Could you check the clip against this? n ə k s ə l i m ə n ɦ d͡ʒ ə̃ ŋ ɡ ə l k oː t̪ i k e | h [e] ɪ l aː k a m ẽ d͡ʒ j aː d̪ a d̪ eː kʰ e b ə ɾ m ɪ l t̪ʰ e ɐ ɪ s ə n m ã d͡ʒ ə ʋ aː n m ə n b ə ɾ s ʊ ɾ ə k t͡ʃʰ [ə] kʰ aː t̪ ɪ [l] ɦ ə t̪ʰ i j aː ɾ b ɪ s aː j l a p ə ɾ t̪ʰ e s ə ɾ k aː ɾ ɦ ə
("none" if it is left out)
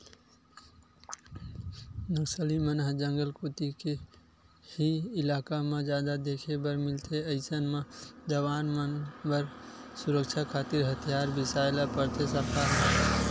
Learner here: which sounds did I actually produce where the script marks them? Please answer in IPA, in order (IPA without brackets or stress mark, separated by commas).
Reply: i, a, ɾ